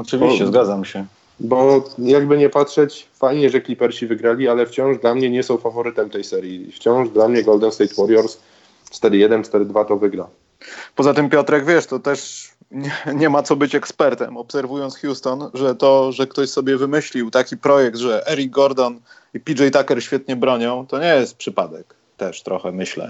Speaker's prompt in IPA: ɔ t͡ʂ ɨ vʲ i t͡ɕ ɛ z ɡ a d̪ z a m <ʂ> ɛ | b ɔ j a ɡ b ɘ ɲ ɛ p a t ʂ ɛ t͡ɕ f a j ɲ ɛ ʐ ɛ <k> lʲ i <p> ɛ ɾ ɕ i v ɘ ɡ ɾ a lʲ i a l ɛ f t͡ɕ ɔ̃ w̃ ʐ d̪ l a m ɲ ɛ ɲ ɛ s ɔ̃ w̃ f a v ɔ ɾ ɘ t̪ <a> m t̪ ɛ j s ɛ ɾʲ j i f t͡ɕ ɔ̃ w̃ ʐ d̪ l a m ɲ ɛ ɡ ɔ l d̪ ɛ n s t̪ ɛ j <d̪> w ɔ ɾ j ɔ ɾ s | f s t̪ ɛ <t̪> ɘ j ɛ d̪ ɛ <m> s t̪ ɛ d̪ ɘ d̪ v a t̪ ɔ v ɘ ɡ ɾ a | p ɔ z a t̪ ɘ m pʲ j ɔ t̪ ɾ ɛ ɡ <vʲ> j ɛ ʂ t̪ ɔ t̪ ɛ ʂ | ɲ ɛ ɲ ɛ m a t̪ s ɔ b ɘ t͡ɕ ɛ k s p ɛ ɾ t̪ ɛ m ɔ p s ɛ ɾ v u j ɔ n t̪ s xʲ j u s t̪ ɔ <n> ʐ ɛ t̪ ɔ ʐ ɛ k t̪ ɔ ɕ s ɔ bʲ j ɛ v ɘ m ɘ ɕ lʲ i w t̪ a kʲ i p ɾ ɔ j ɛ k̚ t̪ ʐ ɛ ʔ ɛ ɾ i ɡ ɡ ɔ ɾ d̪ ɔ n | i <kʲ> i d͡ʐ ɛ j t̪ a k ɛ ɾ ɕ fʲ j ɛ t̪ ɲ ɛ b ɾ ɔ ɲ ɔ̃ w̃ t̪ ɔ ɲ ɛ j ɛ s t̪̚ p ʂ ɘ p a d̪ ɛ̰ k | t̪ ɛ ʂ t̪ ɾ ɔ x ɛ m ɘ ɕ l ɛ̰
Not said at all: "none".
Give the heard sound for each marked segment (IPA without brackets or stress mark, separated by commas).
ɕ, k, p, ɛ, t̪, d̪, n, vʲ, n, pʲ